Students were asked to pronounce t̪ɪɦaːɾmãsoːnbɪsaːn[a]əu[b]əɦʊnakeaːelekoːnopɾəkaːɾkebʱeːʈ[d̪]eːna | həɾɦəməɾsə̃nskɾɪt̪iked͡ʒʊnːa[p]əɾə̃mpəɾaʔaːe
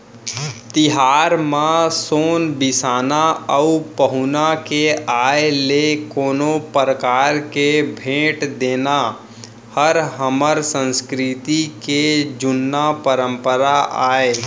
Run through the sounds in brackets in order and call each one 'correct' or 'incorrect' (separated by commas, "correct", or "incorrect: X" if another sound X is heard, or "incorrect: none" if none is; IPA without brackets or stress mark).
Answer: correct, incorrect: p, correct, correct